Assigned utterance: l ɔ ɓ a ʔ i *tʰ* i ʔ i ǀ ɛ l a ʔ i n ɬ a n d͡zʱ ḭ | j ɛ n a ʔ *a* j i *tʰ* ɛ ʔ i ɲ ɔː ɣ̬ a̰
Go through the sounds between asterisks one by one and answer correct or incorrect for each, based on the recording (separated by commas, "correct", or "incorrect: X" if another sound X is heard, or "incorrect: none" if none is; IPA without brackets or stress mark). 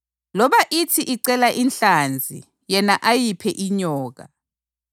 correct, correct, incorrect: pʰ